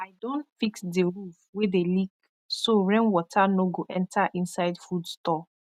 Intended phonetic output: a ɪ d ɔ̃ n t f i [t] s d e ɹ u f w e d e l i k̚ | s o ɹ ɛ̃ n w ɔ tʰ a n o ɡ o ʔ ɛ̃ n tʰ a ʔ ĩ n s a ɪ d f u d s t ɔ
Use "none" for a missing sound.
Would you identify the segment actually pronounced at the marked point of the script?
k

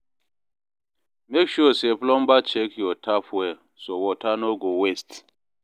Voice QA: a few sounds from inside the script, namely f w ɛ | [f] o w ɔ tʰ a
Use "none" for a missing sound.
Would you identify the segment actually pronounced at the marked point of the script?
s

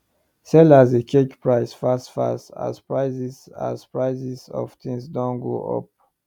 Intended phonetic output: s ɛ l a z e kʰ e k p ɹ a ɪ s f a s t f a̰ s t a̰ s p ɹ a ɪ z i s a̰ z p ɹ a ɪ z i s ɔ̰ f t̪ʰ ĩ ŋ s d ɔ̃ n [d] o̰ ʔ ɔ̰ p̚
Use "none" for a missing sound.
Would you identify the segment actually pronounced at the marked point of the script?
ɡ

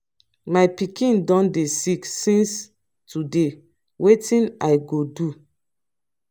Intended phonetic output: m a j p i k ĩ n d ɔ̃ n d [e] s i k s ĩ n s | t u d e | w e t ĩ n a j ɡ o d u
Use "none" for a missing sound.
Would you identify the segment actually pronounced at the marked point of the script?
e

